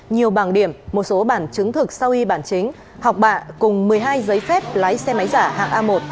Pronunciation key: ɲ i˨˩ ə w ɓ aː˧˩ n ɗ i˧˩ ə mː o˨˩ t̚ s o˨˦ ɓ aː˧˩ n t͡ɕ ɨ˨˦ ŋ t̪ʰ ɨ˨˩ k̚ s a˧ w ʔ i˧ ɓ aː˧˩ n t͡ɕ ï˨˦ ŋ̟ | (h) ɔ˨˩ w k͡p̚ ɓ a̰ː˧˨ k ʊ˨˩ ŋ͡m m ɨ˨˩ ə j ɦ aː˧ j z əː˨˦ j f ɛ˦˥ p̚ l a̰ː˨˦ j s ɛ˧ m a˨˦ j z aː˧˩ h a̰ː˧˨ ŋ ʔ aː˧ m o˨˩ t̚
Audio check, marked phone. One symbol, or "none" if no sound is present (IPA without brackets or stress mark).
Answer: h